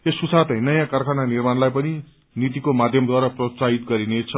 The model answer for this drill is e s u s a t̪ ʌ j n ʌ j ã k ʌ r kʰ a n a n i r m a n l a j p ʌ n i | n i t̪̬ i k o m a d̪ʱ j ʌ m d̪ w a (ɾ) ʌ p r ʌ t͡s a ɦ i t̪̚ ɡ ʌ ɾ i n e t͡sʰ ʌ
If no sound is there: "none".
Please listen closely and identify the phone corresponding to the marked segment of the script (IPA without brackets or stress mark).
ɾ